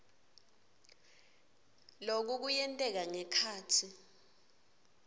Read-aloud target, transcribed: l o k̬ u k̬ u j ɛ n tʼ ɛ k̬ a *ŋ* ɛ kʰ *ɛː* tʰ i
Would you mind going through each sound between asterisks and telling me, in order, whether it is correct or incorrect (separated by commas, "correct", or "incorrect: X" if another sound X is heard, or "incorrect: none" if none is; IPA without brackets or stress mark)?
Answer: correct, incorrect: aː